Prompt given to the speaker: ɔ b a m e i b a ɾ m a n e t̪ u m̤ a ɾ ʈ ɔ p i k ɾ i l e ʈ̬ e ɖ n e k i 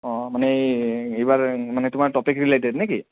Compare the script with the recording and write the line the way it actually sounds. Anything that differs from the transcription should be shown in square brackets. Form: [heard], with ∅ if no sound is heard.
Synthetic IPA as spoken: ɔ [m] a [n] e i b a ɾ m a n e t̪ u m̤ a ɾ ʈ ɔ p i k ɾ i l e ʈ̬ e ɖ n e k i

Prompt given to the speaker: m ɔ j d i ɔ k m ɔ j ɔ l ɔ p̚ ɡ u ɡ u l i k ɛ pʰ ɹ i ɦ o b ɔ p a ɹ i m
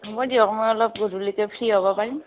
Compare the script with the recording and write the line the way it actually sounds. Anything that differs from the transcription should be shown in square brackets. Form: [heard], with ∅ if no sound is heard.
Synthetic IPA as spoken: m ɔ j d i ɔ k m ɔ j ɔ l ɔ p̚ ɡ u [d] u l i k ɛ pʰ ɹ i ɦ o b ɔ p a ɹ i m

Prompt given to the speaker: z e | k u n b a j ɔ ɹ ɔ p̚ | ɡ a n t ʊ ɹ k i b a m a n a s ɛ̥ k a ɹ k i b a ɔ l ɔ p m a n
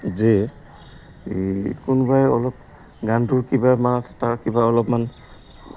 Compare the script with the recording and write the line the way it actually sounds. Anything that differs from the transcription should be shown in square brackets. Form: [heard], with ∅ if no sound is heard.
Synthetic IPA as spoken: z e | k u n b a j ɔ [l] ɔ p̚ | ɡ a n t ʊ ɹ k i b a m a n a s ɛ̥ [t] a ɹ k i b a ɔ l ɔ p m a n

